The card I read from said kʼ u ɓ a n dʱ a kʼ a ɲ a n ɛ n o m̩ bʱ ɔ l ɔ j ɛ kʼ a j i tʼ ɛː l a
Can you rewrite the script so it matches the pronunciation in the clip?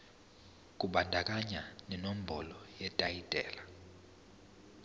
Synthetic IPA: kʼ u ɓ a n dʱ a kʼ a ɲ a n ɛ n o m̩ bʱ ɔ l ɔ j ɛ tʼ a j i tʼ ɛː l a

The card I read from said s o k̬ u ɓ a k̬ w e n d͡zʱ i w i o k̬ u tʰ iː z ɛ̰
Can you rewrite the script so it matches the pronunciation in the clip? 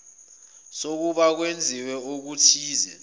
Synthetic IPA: s o k̬ u ɓ a k̬ w e n d͡zʱ i w ɛ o k̬ u tʰ iː z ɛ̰

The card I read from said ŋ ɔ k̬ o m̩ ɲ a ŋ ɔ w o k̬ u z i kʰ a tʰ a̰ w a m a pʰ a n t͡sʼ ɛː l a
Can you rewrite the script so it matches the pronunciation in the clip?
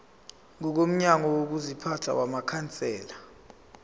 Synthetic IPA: ŋ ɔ k̬ o m̩ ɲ a ŋ ɔ w o k̬ u z i pʰ a tʰ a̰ w a m a kʰ a n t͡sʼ ɛː l a

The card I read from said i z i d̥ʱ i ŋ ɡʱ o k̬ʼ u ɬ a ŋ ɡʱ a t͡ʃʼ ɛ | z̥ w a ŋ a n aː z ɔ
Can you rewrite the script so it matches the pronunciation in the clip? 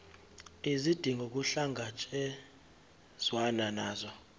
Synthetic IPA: i z i d̥ʱ i ŋ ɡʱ o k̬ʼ u ɬ a ŋ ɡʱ a t͡ʃʼ ɛ | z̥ w a n a n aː z ɔ

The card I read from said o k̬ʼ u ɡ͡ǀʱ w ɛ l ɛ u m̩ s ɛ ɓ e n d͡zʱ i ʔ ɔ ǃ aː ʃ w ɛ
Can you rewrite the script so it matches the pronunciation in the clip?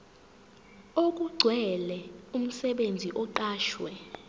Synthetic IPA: o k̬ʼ u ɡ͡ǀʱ w ɛ l ɛ u m̩ s ɛ ɓ e n d͡zʱ i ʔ ɔ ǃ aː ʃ w ɛ

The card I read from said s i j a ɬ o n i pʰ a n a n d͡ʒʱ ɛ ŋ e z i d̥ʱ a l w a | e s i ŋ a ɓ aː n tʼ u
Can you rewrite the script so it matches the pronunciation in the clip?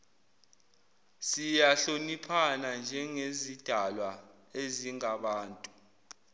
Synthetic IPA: s i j a ɬ o n i pʰ a n a n d͡ʒʱ ɛ ŋ e z i d̥ʱ a l w a | e z i ŋ a ɓ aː n tʼ u

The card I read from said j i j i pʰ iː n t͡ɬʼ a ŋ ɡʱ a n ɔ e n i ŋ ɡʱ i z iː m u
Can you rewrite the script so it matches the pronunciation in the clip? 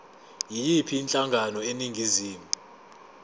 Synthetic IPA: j i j i pʰ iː n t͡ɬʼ a ŋ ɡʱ a n ɔ e n i ŋ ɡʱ i z iː m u

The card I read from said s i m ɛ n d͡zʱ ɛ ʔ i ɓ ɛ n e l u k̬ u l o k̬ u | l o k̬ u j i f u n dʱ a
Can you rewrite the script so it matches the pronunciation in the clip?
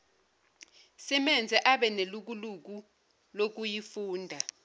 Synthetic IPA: s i m ɛ n d͡zʱ ɛ ʔ a ɓ ɛ n e l u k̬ u l u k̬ u | l o k̬ u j i f uː n dʱ a

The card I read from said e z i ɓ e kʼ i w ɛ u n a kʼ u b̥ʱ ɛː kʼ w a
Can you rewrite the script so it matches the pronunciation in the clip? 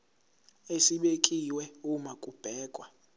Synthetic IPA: e s i ɓ e kʼ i w ɛ u m a kʼ u b̥ʱ ɛː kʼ w a

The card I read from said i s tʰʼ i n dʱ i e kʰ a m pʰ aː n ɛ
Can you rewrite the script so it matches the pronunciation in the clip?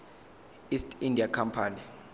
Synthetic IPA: i s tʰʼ i n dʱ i a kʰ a m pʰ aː n i

